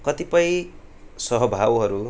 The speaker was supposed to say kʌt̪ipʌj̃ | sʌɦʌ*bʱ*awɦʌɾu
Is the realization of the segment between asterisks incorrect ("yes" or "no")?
no